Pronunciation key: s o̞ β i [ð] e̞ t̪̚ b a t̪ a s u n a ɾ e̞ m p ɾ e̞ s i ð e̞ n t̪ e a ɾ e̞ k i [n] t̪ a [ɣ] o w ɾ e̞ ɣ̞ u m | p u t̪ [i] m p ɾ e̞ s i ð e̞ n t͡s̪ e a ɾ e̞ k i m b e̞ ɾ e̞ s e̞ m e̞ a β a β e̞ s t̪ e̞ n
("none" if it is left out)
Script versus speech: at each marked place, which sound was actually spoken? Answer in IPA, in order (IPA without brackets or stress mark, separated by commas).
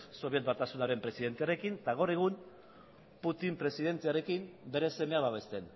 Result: none, n, ɣ, i